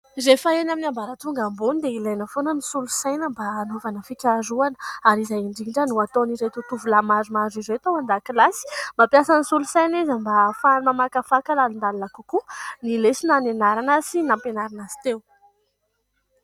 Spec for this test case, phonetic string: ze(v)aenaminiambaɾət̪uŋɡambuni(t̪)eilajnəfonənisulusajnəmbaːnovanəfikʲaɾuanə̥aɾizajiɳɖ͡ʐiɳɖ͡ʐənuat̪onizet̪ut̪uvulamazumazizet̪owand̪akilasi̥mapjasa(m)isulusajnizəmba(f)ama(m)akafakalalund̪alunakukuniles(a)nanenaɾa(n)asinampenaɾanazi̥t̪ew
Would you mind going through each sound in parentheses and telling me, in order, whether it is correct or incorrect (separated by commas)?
incorrect, incorrect, incorrect, correct, correct, incorrect, correct